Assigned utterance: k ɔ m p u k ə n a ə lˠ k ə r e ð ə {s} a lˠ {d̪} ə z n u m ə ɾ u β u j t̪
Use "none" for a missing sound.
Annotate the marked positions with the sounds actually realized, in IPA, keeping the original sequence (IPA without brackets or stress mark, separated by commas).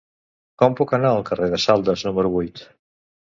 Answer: s, d̪